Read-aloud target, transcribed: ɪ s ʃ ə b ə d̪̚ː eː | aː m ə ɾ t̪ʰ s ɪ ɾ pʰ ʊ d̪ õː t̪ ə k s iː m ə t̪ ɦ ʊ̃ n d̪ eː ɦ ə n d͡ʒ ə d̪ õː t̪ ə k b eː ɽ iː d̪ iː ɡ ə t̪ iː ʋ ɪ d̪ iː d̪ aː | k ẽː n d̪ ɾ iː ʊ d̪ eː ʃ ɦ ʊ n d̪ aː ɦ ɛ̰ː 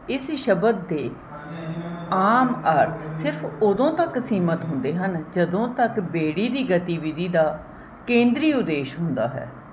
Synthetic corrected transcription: ɪ s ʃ ə b ə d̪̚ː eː | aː m ə ɾ t̪ʰ s ɪ ɾ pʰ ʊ d̪ õː t̪ ə k s iː m ə t̪ ɦ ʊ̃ n d̪ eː ɦ ə n d͡ʒ ə d̪ õː t̪ ə k b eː ɽ iː d̪ iː ɡ ə t̪ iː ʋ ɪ d̪ iː d̪ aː | k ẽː n d̪ ɾ iː ʊ d̪ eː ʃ ɦ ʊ n d̪ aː ɦ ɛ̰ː